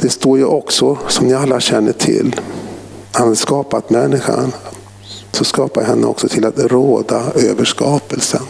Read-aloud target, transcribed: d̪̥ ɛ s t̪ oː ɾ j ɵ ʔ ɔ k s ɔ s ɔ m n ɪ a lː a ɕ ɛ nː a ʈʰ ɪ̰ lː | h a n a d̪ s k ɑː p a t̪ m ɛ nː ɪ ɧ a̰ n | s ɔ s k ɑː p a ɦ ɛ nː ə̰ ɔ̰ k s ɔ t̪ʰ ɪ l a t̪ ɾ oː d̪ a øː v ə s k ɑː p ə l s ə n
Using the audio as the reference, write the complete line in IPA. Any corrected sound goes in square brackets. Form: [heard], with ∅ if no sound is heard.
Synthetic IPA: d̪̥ ɛ s t̪ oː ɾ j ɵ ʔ ɔ k s ɔ s ɔ m n ɪ a lː a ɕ ɛ nː [ə] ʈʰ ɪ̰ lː | h a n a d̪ s k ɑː p a t̪ m ɛ nː ɪ ɧ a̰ n | s ɔ s k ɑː p a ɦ ɛ nː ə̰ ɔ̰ k s ɔ t̪ʰ ɪ l a t̪ ɾ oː d̪ a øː v ə [ʂ] k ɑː p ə l s ə n